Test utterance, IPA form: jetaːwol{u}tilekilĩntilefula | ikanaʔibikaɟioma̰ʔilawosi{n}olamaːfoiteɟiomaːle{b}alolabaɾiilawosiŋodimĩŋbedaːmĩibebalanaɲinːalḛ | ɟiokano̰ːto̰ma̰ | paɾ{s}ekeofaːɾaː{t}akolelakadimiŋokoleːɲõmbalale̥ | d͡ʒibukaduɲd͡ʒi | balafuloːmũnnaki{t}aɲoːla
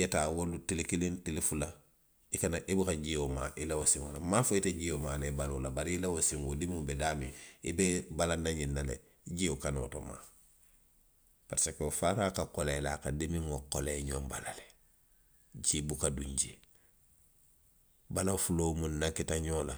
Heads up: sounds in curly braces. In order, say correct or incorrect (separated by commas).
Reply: correct, incorrect, correct, correct, incorrect, correct